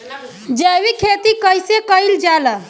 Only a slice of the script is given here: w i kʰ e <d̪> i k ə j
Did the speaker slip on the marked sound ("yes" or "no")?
yes